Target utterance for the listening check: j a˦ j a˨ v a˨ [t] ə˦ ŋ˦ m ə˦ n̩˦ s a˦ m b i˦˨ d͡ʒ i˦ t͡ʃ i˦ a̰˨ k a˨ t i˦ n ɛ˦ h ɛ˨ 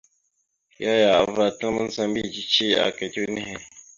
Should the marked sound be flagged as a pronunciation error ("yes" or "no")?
no